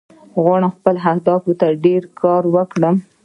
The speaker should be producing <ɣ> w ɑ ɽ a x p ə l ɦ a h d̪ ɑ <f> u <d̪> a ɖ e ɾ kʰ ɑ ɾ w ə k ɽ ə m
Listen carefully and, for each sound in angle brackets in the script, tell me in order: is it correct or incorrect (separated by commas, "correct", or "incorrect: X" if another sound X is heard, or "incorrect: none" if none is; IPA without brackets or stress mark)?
correct, correct, incorrect: t̪